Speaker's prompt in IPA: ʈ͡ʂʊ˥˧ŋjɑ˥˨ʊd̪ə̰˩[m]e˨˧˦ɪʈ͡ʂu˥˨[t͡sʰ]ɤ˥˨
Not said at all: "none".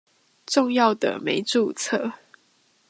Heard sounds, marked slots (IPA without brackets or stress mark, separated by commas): m, t͡sʰ